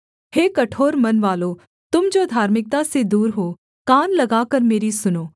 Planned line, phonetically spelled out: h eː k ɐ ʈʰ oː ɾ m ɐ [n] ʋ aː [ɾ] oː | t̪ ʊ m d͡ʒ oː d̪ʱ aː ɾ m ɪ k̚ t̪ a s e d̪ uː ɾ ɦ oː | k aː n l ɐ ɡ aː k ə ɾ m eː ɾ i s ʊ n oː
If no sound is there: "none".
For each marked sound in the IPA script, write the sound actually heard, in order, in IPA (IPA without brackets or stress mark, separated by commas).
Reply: n, l